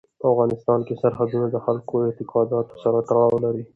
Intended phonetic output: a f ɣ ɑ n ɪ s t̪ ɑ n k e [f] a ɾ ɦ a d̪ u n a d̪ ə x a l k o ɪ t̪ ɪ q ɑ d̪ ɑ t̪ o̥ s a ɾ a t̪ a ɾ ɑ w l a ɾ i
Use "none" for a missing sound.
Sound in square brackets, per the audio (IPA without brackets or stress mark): s